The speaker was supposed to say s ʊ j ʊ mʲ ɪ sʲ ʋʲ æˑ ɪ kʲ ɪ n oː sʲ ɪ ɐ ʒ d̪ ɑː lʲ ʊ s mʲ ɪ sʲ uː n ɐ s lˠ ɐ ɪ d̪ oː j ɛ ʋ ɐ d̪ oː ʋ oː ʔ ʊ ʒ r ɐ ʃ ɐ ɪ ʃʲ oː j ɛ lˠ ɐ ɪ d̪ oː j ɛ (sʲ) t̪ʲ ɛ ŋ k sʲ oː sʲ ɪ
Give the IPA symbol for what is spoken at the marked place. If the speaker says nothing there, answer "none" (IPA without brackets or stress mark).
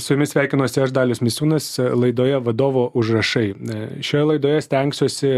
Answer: sʲ